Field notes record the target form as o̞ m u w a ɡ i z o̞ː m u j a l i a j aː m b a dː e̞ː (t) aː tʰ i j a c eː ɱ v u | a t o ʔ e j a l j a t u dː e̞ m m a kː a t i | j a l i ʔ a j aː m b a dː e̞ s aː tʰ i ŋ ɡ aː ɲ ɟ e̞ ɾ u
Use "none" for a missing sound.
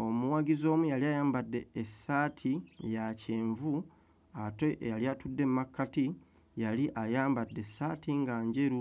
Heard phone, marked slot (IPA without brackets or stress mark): s